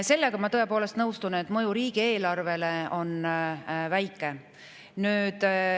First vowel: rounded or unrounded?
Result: unrounded